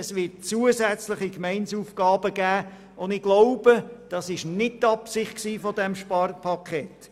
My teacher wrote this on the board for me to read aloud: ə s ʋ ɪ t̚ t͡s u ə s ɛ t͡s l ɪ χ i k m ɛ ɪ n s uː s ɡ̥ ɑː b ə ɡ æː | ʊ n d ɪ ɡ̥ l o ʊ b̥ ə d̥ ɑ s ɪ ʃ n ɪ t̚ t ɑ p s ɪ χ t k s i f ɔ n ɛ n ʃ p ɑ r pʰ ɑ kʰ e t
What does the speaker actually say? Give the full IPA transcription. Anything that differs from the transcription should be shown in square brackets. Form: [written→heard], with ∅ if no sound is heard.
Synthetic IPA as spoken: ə s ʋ ɪ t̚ t͡s u ə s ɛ t͡s l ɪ χ i k m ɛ ɪ n s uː [s→f] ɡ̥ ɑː b ə ɡ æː | ʊ n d ɪ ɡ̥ l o ʊ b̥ ə d̥ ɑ s ɪ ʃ n ɪ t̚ t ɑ p s ɪ χ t k s [i→iː] f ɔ [n→d] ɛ [n→m] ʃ p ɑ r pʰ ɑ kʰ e t